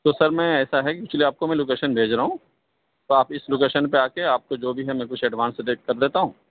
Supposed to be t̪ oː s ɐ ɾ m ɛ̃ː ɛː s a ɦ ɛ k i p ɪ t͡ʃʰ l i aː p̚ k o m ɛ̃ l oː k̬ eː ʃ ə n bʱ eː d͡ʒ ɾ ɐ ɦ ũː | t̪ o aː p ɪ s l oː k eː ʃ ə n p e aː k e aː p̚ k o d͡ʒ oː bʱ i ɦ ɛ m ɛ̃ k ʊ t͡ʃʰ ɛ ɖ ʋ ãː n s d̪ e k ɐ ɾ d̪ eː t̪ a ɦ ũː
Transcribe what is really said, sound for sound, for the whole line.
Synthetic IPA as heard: t̪ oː s ɐ ɾ m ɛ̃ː ɛː s a ɦ ɛ k i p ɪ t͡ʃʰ l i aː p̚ k o m ɛ̃ l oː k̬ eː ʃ ə n bʱ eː d͡ʒ ɾ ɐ ɦ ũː | t̪ o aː p ɪ s l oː k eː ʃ ə n p e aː k e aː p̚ k o d͡ʒ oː bʱ i ɦ ɛ m ɛ̃ k ʊ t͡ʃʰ ɛ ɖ ʋ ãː n s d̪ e k ɐ ɾ d̪ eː t̪ a ɦ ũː